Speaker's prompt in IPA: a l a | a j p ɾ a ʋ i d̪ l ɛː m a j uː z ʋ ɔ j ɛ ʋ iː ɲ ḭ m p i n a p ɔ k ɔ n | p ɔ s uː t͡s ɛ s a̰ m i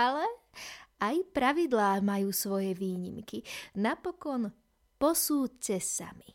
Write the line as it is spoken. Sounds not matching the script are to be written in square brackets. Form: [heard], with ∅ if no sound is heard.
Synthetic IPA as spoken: a l [ɛ] | a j p ɾ a ʋ i d̪ l [aː] m a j uː [s] ʋ ɔ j ɛ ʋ iː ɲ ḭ m [k] i n a p ɔ k ɔ n | p ɔ s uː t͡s ɛ s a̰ m i